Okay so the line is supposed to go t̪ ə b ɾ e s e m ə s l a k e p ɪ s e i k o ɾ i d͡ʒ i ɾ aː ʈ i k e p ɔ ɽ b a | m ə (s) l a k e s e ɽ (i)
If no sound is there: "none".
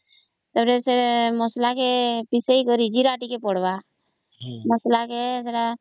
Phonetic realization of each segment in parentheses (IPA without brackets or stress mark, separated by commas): s, a